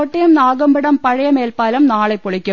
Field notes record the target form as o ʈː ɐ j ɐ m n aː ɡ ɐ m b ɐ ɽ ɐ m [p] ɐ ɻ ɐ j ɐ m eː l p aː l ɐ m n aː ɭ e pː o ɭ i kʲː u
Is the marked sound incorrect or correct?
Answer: correct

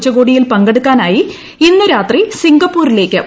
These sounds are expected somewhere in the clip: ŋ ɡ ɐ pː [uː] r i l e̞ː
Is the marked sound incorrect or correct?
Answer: correct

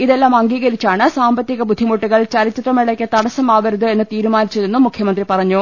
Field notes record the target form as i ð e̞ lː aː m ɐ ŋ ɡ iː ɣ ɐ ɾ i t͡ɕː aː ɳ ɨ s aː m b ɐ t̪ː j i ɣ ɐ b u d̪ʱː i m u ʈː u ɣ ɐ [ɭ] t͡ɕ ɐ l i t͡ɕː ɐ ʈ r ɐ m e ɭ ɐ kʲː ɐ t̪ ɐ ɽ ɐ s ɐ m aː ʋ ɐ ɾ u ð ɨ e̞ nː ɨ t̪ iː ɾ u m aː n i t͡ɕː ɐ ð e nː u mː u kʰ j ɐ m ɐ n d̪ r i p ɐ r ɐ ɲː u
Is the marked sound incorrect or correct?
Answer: correct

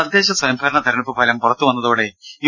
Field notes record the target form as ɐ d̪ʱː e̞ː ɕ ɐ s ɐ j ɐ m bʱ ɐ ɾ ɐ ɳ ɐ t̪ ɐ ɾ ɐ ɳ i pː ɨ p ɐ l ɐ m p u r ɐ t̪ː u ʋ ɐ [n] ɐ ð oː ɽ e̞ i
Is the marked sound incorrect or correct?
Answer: incorrect: nː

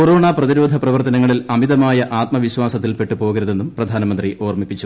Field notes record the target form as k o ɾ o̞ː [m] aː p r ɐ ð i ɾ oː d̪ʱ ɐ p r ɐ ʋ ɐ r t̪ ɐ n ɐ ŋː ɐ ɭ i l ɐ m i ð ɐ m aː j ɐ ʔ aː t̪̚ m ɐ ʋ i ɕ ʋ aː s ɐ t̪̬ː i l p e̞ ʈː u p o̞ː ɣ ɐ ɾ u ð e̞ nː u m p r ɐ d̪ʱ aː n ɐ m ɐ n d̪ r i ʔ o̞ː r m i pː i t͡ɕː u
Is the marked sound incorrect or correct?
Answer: incorrect: ɳ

